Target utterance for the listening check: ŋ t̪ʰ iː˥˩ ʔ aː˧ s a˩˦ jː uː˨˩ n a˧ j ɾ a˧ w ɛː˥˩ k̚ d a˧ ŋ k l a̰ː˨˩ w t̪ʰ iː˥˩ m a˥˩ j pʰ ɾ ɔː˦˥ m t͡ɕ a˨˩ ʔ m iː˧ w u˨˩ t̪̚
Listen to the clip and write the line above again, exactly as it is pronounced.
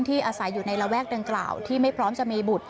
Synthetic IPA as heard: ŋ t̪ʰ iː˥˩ ʔ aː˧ s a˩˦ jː uː˨˩ n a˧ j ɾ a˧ w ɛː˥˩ k̚ d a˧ ŋ k l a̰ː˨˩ w t̪ʰ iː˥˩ m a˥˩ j pʰ ɾ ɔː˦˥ m t͡ɕ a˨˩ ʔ m iː˧ b u˨˩ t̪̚